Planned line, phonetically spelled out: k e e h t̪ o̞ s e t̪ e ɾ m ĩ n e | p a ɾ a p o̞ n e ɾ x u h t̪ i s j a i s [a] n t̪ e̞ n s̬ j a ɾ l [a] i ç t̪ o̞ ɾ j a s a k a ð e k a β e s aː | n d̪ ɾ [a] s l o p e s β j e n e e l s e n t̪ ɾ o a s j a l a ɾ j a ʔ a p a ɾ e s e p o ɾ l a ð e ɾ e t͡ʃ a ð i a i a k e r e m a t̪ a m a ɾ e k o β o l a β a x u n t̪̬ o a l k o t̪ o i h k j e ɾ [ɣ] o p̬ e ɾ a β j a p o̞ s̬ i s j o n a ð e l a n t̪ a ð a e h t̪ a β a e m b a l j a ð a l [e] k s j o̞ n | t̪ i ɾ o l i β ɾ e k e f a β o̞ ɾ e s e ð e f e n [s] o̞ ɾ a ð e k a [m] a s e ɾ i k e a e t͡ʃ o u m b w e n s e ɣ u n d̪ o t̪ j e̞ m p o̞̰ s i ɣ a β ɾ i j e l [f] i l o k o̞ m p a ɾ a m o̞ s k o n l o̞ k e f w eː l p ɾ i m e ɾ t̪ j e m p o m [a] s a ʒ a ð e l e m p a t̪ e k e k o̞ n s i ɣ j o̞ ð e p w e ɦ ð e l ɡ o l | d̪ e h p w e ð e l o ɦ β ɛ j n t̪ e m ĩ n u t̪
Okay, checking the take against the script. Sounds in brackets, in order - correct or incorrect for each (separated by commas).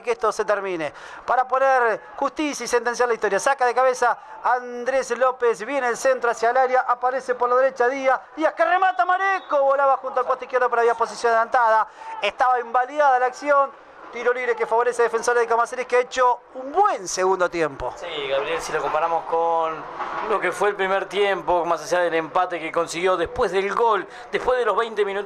incorrect, correct, incorrect, incorrect, incorrect, correct, correct, incorrect, correct